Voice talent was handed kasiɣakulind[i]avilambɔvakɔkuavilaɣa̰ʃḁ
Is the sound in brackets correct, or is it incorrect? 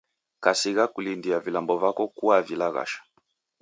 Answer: correct